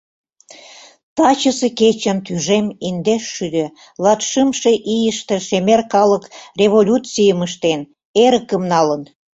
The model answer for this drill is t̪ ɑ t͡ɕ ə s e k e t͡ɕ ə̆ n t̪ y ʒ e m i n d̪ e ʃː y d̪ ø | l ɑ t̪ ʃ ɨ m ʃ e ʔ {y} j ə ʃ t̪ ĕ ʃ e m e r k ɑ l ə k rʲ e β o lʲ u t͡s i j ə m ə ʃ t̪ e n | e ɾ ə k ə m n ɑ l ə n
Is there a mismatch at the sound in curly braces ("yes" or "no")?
yes